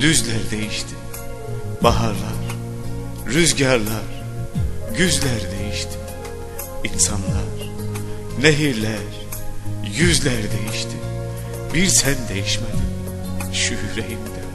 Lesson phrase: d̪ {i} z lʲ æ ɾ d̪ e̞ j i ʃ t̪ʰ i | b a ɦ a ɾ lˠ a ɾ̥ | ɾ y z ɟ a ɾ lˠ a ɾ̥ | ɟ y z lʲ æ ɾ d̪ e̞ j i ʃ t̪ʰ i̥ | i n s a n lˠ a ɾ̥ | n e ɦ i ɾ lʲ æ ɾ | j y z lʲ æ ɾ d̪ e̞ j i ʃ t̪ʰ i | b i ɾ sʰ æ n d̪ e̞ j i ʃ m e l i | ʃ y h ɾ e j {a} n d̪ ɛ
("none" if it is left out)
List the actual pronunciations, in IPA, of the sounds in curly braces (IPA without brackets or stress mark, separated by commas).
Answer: y, i